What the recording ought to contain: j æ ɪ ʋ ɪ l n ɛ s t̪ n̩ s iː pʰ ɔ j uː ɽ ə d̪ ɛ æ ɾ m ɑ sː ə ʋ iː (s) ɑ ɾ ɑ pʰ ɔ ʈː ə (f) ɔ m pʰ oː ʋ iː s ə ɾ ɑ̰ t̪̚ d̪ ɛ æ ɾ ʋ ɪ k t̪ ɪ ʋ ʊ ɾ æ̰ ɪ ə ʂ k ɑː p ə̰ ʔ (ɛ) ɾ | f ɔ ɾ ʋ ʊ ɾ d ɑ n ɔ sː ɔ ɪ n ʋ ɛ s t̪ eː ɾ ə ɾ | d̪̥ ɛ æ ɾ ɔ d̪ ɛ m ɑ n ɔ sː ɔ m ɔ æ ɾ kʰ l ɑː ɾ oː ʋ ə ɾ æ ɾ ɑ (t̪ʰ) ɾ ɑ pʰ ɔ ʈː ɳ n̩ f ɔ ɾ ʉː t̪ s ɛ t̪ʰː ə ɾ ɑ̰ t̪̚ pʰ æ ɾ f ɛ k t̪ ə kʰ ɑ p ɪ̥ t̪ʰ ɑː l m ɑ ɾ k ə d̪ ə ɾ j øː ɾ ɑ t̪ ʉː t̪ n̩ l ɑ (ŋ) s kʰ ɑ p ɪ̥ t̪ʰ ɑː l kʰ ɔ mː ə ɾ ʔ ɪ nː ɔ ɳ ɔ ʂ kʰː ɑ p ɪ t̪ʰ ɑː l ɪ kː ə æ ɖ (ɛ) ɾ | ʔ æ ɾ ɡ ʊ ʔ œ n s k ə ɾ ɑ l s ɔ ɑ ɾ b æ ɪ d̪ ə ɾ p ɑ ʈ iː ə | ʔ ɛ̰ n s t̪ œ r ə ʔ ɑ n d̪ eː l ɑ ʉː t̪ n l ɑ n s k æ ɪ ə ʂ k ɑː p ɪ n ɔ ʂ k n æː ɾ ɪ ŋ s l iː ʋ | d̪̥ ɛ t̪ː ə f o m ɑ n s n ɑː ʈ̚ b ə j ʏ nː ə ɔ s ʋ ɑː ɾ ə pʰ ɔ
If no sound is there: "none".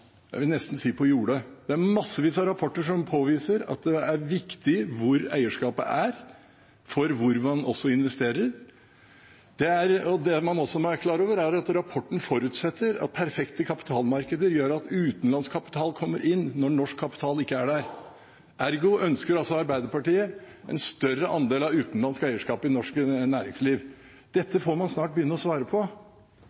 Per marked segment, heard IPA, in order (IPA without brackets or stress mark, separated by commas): s, ʂ, æ, t̪, n, æ